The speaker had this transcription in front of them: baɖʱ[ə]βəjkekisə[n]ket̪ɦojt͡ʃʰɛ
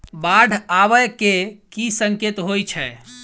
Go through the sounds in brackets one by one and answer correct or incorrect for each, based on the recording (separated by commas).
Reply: incorrect, incorrect